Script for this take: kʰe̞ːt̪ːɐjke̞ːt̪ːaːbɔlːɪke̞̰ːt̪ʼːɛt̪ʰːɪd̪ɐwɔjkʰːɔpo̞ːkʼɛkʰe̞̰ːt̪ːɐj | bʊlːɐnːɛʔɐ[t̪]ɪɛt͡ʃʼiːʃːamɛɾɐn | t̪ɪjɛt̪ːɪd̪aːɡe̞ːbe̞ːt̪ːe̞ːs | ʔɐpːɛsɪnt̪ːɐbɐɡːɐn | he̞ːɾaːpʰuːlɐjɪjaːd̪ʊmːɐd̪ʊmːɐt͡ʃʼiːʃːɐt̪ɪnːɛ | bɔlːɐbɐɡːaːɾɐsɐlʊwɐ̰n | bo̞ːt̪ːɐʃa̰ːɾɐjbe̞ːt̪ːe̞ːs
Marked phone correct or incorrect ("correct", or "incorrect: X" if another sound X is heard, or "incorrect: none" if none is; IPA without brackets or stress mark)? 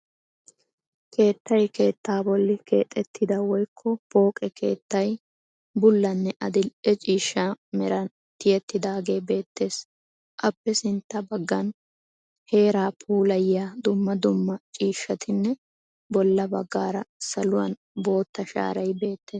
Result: incorrect: d̪